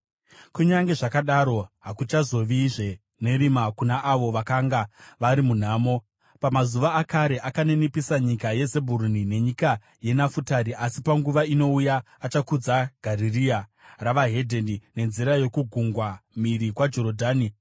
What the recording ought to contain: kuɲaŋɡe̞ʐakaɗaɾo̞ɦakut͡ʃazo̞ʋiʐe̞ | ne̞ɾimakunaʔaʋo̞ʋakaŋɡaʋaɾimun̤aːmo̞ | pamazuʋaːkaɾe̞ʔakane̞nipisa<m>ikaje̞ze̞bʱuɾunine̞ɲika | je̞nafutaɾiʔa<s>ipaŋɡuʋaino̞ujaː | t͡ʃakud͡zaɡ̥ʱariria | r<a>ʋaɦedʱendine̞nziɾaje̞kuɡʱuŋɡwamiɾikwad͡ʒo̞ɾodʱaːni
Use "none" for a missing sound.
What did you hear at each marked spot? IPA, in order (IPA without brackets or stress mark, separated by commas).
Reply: ɲ, s, a